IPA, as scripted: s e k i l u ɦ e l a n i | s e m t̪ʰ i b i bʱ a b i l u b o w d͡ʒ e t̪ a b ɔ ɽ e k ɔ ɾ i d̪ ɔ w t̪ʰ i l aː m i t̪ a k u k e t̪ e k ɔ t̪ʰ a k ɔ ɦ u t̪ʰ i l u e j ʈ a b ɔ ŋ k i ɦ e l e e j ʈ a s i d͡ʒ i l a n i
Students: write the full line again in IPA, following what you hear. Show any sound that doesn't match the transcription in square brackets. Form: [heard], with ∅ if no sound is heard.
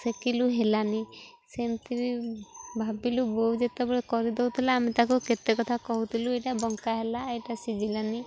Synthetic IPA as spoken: s e k i l u ɦ e l a n i | s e m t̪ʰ i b i bʱ a b i l u b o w d͡ʒ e t̪ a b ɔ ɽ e k ɔ ɾ i d̪ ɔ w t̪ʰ i l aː m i t̪ a k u k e t̪ e k ɔ t̪ʰ a k ɔ ɦ u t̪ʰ i l u e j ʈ a b ɔ ŋ k [a] ɦ e l [a] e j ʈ a s i d͡ʒ i l a n i